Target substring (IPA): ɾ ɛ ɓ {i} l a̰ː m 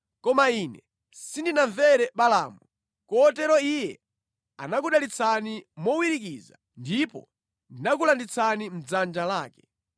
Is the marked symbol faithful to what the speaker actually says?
no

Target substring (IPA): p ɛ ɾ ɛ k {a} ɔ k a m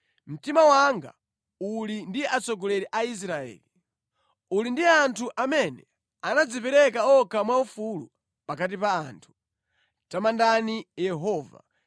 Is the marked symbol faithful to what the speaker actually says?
yes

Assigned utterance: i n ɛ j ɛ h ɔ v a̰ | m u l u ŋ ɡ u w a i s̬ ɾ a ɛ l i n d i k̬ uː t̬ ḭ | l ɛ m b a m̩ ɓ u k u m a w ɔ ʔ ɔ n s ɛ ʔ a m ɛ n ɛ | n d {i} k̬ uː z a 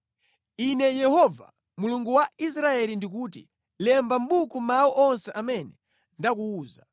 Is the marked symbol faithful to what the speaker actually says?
no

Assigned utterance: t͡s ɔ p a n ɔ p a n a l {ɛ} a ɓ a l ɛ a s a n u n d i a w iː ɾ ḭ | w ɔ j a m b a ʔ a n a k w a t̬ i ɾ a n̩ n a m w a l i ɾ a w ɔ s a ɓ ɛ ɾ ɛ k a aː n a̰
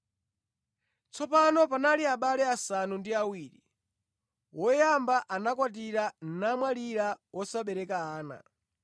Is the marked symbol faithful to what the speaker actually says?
no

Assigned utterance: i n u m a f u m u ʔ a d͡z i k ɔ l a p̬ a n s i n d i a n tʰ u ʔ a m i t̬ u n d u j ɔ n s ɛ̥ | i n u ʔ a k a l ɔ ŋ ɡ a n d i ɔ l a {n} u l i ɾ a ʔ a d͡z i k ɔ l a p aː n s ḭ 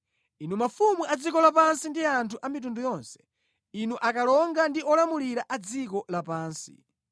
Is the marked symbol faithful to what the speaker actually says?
no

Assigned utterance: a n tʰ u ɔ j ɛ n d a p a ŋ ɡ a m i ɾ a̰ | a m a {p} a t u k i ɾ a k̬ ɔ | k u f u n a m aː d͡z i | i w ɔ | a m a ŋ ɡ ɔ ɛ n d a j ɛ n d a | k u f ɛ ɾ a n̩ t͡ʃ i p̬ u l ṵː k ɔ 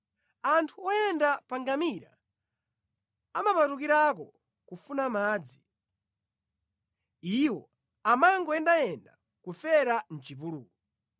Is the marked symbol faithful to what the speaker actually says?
yes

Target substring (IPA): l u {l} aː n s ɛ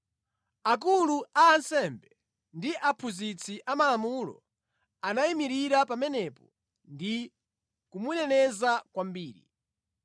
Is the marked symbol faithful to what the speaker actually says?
no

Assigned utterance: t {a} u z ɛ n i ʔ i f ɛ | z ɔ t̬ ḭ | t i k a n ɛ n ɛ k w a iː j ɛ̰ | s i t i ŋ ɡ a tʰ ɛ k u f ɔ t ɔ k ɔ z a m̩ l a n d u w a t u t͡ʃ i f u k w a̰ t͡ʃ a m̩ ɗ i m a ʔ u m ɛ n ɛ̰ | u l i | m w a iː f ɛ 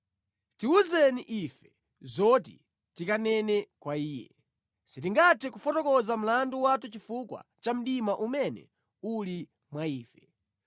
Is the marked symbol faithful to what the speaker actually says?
no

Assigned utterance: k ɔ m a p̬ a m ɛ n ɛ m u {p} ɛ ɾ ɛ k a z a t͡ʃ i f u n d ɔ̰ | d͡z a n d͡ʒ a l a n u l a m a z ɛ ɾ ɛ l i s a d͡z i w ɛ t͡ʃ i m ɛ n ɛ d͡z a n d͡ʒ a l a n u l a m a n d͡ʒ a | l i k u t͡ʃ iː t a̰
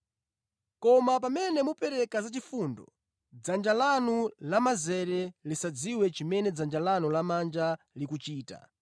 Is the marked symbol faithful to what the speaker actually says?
yes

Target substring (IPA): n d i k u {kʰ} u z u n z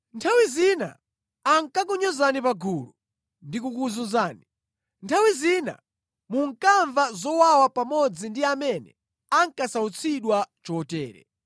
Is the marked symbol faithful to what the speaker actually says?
no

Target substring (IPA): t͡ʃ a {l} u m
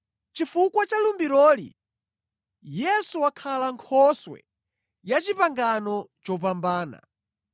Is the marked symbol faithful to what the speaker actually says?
yes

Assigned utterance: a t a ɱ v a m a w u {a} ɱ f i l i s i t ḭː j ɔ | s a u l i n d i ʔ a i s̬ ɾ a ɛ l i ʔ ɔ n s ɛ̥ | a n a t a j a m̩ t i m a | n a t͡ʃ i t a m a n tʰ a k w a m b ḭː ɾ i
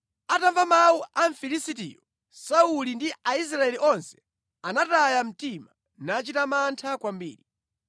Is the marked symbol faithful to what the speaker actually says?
yes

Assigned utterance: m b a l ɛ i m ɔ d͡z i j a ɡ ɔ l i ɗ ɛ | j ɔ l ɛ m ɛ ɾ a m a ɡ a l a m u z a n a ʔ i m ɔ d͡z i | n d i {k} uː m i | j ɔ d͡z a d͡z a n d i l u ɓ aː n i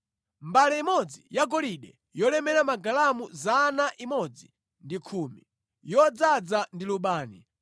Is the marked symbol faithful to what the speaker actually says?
no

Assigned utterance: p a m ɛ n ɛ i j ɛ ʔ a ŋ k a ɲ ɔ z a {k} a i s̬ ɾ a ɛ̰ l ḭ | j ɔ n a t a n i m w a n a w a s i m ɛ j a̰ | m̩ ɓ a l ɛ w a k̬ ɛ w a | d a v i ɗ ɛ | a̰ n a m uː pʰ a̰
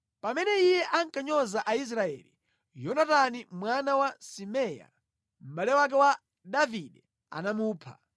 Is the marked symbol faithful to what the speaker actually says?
no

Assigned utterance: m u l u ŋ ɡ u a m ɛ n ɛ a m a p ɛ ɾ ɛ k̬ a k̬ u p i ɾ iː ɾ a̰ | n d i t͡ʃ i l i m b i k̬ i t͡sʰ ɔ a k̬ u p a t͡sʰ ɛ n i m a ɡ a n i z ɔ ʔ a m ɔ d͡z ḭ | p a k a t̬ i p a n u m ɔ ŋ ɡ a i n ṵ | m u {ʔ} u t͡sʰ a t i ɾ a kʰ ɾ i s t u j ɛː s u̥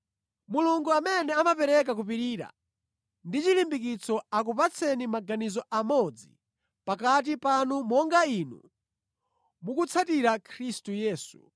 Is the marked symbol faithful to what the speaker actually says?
no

